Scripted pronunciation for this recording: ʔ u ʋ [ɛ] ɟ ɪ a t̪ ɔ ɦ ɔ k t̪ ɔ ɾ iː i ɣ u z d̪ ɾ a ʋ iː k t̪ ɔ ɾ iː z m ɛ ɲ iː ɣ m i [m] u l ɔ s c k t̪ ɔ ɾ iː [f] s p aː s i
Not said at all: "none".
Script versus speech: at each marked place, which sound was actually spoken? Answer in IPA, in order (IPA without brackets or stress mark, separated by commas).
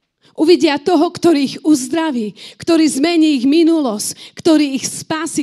i, n, x